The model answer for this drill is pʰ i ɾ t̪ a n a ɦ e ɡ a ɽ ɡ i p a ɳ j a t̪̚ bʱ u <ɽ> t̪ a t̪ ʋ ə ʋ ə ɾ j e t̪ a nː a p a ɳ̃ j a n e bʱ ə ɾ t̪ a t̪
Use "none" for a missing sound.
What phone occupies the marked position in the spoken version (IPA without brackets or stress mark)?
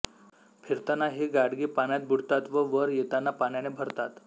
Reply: ɽ